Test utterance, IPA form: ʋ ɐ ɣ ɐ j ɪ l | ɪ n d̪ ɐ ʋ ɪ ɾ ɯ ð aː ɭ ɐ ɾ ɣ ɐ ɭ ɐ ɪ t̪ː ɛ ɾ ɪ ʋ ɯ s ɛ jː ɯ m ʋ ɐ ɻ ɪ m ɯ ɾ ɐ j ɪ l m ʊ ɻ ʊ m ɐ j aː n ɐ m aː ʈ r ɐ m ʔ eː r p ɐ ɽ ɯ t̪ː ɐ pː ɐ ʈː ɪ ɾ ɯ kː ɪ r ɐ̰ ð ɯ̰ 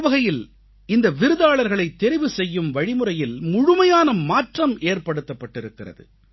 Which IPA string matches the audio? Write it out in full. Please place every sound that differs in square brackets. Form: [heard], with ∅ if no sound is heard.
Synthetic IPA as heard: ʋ ɐ ɣ ɐ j ɪ l | ɪ n d̪ ɐ ʋ ɪ ɾ ɯ ð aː ɭ ɐ ɾ ɣ ɐ ɭ ɐ ɪ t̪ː ɛ ɾ ɪ ʋ ɯ s ɛ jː ɯ m ʋ ɐ ɻ ɪ m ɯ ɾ ɐ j ɪ l m ʊ ɻ ʊ m ɐ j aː n ɐ m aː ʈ r ɐ m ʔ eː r p ɐ ɽ ɯ t̪ː ɐ pː ɐ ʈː ɪ ɾ ɯ kː ɪ r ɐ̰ ð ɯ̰